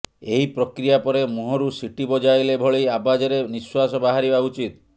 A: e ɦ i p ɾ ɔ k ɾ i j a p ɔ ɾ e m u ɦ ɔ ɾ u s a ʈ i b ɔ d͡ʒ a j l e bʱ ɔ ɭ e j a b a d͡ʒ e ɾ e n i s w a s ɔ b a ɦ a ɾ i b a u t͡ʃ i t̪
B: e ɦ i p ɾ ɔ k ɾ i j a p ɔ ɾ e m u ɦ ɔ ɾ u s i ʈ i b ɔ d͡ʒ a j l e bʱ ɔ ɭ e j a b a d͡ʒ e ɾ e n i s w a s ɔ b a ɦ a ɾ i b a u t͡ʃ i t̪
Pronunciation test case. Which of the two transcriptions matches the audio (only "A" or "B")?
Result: B